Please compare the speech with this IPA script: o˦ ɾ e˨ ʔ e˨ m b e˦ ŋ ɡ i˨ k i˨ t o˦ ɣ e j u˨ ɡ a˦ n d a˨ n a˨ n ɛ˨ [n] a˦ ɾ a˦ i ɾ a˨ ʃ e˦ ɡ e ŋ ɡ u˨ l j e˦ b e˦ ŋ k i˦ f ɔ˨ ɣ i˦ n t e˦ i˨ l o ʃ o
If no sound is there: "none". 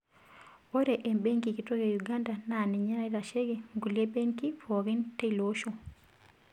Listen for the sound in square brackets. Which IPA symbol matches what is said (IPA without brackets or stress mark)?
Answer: ɲ